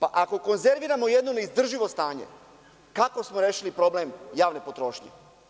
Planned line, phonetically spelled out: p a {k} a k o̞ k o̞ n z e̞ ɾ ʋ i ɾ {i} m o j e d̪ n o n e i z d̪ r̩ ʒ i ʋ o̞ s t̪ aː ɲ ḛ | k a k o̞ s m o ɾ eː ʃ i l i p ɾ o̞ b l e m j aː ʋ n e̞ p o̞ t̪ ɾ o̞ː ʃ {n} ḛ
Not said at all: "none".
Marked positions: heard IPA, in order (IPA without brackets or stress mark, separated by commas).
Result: ʔ, a, ɲ